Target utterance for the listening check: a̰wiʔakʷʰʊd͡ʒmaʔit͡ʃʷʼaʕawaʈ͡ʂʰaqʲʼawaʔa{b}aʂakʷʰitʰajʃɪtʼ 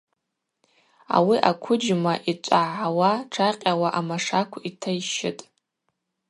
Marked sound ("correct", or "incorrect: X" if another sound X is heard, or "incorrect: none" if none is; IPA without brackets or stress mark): incorrect: m